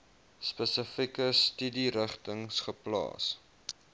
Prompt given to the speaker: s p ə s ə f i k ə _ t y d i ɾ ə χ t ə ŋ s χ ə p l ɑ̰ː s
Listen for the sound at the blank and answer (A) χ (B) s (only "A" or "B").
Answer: B